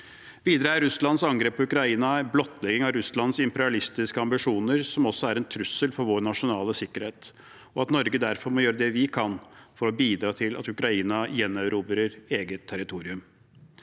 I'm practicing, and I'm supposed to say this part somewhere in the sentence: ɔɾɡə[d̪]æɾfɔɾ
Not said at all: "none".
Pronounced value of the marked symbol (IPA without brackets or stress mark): d̪